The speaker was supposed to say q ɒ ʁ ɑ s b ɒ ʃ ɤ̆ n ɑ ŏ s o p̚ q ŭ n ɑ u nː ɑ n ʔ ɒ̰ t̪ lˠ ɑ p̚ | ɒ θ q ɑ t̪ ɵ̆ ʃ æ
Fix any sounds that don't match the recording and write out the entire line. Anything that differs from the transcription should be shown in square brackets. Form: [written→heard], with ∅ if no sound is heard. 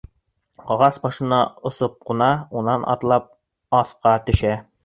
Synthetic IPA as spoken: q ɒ ʁ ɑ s b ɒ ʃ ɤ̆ n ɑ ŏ s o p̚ q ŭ n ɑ u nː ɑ n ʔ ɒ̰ t̪ lˠ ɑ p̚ | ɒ θ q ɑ t̪ ɵ̆ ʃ æ